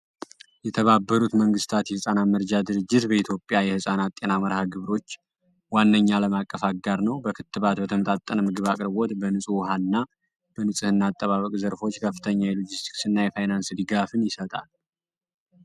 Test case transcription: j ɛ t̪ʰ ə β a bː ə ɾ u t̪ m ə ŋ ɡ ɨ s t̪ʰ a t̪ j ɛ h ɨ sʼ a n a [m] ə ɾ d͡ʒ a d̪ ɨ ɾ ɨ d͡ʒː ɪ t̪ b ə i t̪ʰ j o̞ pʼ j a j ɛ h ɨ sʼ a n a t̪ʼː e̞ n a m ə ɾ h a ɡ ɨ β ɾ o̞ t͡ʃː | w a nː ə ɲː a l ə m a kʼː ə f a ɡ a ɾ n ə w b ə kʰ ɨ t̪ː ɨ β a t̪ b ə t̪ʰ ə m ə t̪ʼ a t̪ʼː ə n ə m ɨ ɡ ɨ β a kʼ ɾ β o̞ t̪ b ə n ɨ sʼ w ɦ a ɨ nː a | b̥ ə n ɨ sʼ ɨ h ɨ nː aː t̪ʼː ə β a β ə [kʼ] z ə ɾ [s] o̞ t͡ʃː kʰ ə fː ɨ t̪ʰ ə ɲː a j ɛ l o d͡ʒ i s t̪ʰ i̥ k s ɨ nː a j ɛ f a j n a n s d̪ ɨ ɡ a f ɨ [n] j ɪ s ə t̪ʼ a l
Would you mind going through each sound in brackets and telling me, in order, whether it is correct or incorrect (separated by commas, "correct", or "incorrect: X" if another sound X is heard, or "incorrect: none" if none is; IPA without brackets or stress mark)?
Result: correct, correct, incorrect: f, correct